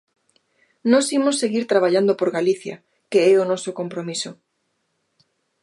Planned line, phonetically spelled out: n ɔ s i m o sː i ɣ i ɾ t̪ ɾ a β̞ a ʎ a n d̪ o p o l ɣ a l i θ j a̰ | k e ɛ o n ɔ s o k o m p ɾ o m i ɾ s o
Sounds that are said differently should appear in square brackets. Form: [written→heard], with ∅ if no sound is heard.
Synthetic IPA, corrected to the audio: n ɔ s i m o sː [i→e] ɣ i ɾ t̪ ɾ a β̞ a ʎ a n d̪ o p o [l→ɾ] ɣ a l i θ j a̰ | k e ɛ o n ɔ s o k o m p ɾ o m i [ɾ→∅] s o